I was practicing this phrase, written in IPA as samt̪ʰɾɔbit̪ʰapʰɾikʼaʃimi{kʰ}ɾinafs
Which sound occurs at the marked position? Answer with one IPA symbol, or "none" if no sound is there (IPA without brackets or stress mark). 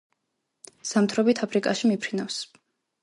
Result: pʰ